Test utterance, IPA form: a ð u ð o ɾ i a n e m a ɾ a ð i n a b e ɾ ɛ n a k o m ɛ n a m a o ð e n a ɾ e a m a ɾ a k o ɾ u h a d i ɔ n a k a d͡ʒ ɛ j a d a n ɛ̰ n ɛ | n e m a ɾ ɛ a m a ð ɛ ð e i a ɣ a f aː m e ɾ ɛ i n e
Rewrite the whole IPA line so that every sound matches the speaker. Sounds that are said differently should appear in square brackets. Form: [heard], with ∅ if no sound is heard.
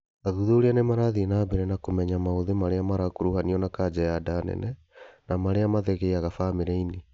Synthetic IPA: a ð u ð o ɾ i a n e m a ɾ a ð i n a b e ɾ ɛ n a k o m ɛ [ɲ] a m a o ð e [m] a ɾ e a m a ɾ a k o ɾ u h a [n] i ɔ n a k a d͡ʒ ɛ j a d a n ɛ̰ n ɛ | n [a] m a ɾ [e] a m a ð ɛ [ɣ] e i a ɣ a f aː m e ɾ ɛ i n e